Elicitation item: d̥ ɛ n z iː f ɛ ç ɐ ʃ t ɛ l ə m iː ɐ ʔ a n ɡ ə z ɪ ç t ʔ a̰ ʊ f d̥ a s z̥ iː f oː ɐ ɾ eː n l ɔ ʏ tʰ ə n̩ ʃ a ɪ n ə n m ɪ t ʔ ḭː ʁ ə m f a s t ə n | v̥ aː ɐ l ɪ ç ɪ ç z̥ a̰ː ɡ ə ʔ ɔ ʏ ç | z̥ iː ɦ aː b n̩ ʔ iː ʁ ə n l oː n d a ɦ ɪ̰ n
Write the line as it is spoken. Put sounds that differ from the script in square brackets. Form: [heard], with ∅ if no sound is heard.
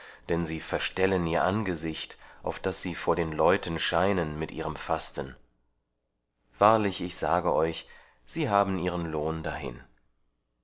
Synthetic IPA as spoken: d̥ ɛ n z iː f ɛ [∅] ɐ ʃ t ɛ l ə [n] iː ɐ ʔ a n ɡ ə z ɪ ç t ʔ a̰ ʊ f d̥ a s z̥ iː f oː ɐ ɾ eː n l ɔ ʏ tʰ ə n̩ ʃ a ɪ n ə n m ɪ t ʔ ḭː ʁ ə m f a s t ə n | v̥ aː ɐ l ɪ ç ɪ ç z̥ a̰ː ɡ ə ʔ ɔ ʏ ç | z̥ iː ɦ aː b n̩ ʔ iː ʁ ə n l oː n d a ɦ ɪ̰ n